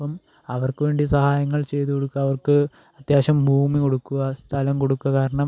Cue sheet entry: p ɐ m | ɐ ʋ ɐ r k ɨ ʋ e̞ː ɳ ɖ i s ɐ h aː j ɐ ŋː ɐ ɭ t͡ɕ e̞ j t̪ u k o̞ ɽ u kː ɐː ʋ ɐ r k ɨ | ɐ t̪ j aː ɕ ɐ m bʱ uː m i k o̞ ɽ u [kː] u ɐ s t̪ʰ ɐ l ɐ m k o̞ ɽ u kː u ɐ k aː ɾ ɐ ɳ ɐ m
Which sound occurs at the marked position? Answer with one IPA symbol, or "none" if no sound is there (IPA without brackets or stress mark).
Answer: kː